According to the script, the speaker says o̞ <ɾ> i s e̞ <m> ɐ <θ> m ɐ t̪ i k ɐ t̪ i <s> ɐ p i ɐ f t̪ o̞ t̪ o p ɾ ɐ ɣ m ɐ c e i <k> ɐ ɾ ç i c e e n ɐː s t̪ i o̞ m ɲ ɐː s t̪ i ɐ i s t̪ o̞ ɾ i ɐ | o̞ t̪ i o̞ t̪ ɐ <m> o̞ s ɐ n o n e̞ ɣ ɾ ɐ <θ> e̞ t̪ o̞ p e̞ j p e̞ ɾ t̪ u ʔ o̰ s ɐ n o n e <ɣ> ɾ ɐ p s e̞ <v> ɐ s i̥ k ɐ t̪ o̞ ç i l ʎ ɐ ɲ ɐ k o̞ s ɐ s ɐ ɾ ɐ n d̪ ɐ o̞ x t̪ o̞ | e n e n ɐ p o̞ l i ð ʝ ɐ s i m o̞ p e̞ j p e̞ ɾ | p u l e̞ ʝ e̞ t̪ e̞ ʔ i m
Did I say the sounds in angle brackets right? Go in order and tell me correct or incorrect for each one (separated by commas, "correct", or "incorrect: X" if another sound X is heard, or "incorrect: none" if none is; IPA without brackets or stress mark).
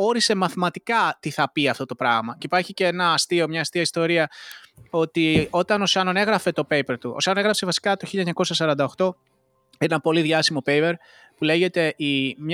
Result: correct, correct, correct, incorrect: θ, incorrect: p, incorrect: n, incorrect: f, correct, correct